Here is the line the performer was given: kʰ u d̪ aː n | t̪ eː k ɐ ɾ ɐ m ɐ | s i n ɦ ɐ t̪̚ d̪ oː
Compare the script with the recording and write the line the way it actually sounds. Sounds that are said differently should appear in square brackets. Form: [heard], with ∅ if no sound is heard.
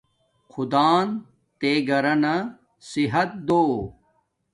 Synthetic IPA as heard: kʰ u d̪ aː n | t̪ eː [ɡ] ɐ ɾ ɐ [n] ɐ | s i [∅] ɦ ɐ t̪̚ d̪ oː